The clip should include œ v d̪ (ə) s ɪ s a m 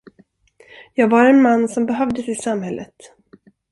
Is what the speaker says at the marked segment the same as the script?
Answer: yes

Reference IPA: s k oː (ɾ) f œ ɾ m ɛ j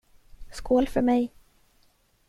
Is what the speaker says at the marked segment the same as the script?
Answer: no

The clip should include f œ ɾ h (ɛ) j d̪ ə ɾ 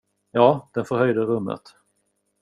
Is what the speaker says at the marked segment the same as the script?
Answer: no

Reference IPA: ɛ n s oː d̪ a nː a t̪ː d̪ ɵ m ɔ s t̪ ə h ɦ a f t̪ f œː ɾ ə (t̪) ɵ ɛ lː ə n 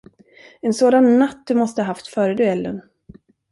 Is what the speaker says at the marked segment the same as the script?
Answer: no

